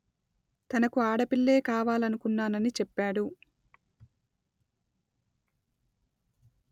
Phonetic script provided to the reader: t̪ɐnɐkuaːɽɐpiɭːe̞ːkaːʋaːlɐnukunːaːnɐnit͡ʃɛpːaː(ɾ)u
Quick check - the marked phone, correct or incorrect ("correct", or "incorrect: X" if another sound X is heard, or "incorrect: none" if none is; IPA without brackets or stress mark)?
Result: incorrect: ɽ